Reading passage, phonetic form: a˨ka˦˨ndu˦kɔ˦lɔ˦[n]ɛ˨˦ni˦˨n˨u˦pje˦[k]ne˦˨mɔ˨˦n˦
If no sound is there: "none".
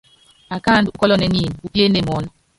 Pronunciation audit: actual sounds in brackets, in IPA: n, none

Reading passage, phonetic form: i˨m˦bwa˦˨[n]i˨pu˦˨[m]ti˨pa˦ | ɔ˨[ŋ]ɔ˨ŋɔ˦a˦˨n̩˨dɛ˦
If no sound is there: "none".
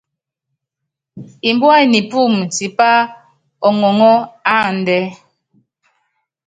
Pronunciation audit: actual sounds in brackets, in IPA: n, m, ŋ

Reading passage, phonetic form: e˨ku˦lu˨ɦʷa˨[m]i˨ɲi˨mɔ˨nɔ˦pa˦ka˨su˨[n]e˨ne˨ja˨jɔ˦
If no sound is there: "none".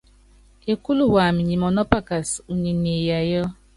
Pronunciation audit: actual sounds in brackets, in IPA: m, ɲ

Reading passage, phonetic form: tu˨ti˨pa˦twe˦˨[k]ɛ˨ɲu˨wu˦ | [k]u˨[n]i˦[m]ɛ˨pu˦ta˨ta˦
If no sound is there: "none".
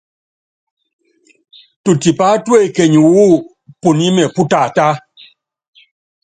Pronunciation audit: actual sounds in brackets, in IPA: k, p, n, m

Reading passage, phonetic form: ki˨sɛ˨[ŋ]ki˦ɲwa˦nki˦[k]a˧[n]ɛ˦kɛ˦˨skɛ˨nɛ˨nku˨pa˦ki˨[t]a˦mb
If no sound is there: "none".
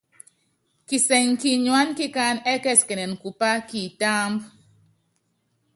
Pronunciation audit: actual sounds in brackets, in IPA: ŋ, k, n, t

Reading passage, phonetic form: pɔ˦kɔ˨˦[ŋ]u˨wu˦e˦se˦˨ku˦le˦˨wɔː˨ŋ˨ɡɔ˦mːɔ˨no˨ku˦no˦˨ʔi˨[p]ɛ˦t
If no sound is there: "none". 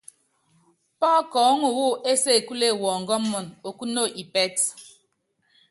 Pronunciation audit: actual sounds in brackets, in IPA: ŋ, p

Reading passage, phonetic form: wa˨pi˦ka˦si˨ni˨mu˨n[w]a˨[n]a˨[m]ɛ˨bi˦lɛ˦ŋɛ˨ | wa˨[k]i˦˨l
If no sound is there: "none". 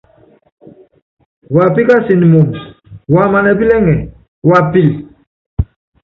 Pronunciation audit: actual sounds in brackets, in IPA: w, m, n, p

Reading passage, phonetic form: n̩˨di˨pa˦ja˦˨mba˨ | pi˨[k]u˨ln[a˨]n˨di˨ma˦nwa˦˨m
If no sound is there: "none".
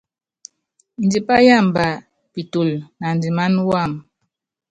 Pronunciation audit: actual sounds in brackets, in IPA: t, a˨

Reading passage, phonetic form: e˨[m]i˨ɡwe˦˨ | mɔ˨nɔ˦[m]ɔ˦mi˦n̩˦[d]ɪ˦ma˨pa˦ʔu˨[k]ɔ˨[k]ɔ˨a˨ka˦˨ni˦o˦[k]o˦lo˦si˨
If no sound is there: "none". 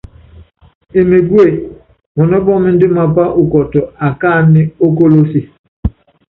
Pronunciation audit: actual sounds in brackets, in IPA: m, b, d, k, t, k

